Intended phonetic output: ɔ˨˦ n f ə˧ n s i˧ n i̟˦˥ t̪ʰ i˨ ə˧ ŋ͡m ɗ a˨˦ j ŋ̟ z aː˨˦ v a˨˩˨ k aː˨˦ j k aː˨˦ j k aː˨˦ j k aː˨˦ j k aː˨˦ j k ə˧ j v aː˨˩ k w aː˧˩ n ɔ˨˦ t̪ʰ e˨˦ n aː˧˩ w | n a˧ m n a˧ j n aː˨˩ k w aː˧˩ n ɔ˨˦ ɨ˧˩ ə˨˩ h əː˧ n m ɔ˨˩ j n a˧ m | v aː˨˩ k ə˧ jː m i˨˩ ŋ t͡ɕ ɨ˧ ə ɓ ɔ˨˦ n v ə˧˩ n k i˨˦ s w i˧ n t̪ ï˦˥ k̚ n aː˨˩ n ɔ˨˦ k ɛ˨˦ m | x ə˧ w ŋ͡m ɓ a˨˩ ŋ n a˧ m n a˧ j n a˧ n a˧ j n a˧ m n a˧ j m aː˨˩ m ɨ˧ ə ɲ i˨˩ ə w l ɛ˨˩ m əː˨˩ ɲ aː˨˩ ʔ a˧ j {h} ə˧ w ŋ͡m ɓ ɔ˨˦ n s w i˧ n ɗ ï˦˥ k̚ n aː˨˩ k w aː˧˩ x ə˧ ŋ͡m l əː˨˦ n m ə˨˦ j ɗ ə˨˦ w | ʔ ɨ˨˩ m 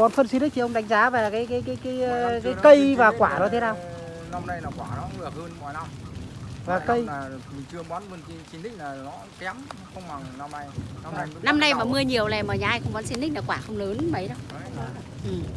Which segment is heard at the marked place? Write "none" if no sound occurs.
x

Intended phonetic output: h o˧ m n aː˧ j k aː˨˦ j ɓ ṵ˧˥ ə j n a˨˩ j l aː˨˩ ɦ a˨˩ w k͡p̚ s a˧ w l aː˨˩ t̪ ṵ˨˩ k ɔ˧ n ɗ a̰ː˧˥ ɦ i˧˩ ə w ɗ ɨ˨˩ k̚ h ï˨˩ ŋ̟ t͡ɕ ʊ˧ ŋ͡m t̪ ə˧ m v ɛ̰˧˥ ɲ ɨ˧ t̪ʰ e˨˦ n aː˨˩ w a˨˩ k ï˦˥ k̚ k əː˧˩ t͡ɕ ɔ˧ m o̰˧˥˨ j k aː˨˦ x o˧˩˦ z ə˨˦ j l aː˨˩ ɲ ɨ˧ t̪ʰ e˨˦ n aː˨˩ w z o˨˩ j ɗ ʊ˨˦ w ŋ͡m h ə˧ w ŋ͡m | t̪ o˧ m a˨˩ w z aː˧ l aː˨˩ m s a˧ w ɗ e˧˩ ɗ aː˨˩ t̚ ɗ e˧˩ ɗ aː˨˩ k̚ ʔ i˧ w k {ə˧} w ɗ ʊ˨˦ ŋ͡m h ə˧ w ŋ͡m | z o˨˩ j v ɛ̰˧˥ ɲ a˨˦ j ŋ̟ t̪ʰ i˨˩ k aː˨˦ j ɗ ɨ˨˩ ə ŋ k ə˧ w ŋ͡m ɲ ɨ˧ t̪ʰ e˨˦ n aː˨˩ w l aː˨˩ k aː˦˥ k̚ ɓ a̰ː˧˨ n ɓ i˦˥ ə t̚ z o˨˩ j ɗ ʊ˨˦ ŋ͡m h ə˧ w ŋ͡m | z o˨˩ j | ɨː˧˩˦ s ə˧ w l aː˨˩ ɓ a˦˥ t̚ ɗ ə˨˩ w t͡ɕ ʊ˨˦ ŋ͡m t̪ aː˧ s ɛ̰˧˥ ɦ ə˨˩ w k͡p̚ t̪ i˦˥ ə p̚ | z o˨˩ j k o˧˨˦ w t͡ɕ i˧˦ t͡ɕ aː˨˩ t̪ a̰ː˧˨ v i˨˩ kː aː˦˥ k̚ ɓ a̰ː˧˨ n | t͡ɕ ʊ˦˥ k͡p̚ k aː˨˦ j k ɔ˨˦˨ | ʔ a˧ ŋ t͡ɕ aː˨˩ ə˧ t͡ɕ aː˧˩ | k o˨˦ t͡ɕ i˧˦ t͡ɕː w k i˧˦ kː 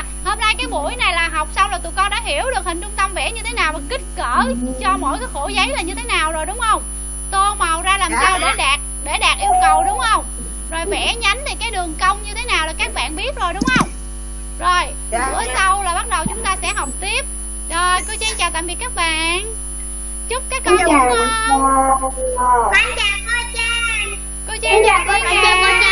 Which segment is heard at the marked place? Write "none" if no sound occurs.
ə˨˩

